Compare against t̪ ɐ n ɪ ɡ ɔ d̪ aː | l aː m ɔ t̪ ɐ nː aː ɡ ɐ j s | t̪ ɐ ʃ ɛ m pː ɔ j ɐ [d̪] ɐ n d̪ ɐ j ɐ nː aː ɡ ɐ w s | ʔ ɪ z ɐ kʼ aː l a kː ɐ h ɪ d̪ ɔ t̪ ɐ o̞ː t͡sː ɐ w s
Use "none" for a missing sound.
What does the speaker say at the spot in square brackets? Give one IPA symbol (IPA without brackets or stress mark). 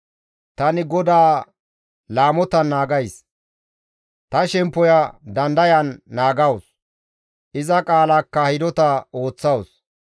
d̪